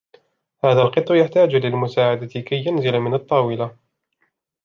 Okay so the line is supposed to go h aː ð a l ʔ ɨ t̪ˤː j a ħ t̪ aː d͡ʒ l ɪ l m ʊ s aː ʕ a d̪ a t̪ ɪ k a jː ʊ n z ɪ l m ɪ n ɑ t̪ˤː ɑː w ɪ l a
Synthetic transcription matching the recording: h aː ð a l q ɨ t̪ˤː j a ħ t̪ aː d͡ʒ l ɪ l m ʊ s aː ʕ a d̪ a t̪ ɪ k a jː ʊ n z ɪ l m ɪ n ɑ t̪ˤː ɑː w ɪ l a